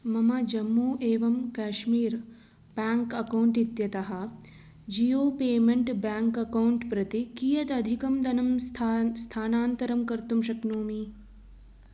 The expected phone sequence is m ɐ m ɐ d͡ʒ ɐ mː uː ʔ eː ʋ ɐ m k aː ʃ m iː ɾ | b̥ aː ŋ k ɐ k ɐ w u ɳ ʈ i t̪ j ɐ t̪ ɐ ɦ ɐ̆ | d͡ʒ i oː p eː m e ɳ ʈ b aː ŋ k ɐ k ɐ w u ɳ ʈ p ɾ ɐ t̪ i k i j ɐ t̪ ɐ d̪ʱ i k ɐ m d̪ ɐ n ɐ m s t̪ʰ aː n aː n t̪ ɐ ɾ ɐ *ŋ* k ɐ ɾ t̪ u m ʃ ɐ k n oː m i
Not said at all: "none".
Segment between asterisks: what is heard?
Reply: m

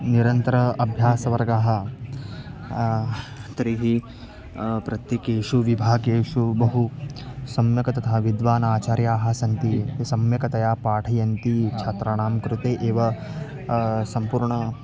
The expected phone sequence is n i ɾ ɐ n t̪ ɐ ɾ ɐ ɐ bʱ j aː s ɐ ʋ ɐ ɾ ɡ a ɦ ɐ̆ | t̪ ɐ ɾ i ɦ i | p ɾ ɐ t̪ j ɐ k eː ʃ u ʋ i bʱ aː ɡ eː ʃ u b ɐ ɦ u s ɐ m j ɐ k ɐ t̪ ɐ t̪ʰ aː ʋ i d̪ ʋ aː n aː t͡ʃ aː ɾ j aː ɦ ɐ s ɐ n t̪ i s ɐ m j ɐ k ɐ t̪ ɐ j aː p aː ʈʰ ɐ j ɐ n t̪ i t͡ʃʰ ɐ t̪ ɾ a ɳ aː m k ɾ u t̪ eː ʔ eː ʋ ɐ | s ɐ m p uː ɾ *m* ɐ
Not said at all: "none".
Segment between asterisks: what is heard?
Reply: ɳ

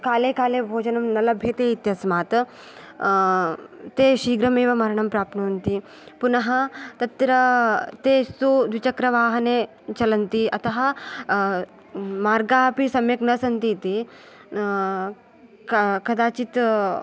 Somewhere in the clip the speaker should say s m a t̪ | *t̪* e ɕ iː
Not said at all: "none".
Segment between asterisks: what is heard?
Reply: t̪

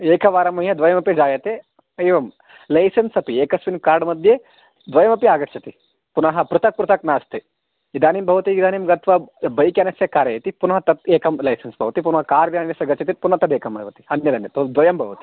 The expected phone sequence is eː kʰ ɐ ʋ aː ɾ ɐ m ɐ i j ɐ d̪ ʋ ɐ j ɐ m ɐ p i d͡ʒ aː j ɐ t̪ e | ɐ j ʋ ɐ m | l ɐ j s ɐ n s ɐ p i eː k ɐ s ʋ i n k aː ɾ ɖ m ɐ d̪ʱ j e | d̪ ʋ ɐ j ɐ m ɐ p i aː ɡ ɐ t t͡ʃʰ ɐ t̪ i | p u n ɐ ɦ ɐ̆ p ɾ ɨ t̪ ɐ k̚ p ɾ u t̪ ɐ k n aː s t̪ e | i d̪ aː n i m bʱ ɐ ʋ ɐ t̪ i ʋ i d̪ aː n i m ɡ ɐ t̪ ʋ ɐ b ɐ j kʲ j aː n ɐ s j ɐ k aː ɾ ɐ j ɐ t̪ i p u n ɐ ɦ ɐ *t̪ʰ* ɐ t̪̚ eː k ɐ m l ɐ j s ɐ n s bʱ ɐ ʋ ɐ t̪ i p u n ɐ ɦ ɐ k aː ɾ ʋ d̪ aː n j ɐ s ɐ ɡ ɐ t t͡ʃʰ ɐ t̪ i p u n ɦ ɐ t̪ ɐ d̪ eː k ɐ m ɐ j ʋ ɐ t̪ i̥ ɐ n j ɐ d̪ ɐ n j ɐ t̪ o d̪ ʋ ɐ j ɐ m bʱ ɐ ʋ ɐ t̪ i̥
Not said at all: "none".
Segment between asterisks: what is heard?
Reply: t̪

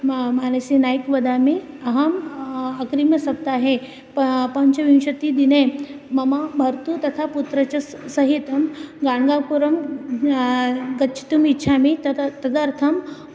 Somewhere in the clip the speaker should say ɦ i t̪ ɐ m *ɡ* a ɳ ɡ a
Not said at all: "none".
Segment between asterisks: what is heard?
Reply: ɡ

